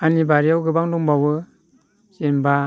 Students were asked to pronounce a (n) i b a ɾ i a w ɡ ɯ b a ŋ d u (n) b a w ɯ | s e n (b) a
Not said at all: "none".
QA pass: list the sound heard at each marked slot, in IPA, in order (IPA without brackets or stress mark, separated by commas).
n, ŋ, b